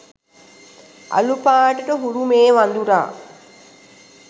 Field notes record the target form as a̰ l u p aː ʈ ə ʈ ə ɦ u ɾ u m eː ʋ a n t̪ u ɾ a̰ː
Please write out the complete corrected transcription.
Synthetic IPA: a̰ l u p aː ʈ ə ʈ ə ɦ u ɾ u m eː ʋ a n d̪ u ɾ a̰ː